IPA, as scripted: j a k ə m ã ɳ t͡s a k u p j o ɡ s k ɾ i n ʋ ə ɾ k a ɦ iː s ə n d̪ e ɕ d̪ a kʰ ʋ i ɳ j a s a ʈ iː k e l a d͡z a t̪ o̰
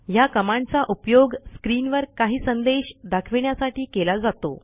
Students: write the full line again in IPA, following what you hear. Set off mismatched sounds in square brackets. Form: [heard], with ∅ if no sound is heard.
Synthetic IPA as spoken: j a k ə m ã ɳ t͡s a [ʔ] u p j o ɡ s k ɾ i n ʋ ə ɾ k a ɦ iː s ə n d̪ e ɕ d̪ a kʰ ʋ i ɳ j a s a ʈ iː k e l a d͡z a t̪ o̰